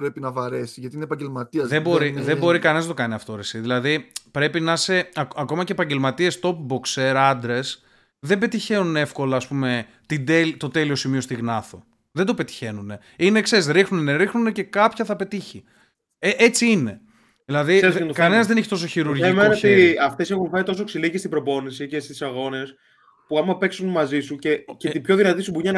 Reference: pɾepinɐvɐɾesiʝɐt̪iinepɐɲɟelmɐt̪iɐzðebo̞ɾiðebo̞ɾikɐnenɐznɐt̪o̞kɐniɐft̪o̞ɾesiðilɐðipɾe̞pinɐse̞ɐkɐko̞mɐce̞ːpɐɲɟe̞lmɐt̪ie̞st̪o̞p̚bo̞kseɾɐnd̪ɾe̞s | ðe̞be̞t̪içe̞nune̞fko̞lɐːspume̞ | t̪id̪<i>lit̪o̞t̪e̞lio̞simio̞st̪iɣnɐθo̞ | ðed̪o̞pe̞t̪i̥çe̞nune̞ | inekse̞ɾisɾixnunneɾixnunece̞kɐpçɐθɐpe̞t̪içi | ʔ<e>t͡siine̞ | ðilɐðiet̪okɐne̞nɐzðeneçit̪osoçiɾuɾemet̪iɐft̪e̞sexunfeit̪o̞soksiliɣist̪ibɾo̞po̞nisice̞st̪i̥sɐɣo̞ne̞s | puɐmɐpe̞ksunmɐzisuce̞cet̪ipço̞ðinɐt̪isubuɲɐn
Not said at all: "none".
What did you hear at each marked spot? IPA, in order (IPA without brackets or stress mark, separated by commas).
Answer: e, e